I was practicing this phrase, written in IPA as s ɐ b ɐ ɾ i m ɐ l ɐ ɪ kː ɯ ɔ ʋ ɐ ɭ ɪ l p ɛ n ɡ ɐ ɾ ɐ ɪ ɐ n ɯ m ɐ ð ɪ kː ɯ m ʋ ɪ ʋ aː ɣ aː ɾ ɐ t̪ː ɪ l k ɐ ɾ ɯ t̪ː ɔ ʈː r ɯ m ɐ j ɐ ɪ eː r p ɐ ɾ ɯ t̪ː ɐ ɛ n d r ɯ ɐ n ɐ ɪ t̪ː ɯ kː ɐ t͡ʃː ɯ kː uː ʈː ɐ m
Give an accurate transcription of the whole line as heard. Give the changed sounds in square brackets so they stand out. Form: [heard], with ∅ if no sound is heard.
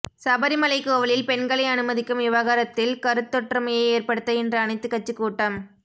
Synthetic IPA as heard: s ɐ b ɐ ɾ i m ɐ l ɐ ɪ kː ɯ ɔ ʋ ɐ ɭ ɪ l p ɛ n ɡ ɐ [ɭ] ɐ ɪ ɐ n ɯ m ɐ ð ɪ kː ɯ m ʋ ɪ ʋ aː ɣ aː ɾ ɐ t̪ː ɪ l k ɐ ɾ ɯ t̪ː ɔ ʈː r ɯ m ɐ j ɐ ɪ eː r p ɐ [ɽ] ɯ t̪ː ɐ ɛ n d r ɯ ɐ n ɐ ɪ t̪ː ɯ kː ɐ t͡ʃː ɯ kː uː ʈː ɐ m